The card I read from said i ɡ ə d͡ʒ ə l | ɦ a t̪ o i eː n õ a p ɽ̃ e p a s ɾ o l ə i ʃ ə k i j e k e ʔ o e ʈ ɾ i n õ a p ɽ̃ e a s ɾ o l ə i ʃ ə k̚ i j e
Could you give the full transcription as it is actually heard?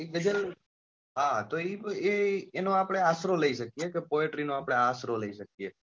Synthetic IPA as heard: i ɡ ə d͡ʒ ə l | ɦ a t̪ o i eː n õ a p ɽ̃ e a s ɾ o l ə i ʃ ə k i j e k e p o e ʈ ɾ i n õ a p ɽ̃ e a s ɾ o l ə i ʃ ə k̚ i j e